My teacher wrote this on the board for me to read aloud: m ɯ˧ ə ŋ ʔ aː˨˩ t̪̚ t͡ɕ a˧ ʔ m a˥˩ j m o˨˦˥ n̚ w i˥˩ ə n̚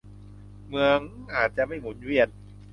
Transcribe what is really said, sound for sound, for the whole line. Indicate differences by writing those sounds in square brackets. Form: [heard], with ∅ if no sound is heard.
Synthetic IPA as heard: m ɯ˧ ə ŋ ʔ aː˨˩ t̪̚ t͡ɕ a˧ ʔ m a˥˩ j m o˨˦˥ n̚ w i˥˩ ə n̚